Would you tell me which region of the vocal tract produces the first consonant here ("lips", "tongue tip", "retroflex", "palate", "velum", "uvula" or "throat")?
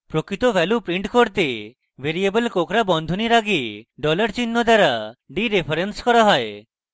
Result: lips